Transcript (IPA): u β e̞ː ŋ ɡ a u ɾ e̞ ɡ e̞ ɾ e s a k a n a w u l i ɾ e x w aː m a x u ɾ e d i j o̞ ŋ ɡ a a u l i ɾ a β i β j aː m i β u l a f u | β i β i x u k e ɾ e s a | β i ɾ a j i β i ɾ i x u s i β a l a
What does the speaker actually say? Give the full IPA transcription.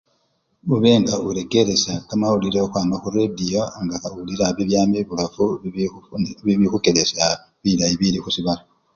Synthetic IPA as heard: u β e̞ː ŋ ɡ a u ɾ e̞ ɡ e̞ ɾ e s a k a m a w u l i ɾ e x w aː m a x u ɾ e d i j o̞ ŋ ɡ a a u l i ɾ a β i β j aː m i β u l a f u | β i β i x u k e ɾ e s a | β i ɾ a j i β i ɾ i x u s i β a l a